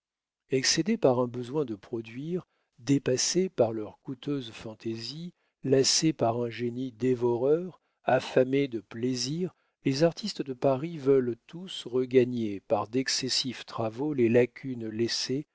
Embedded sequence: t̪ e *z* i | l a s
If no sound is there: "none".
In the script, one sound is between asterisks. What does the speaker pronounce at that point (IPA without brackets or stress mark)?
z